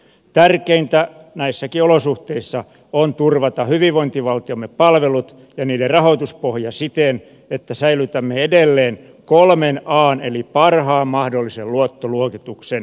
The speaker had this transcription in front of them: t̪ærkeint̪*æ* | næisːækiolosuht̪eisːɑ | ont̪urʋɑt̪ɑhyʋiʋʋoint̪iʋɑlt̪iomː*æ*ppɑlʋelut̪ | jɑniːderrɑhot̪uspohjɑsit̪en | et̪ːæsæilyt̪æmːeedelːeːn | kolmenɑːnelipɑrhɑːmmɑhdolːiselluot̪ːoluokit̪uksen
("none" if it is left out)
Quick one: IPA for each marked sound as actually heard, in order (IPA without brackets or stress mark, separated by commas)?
æ, e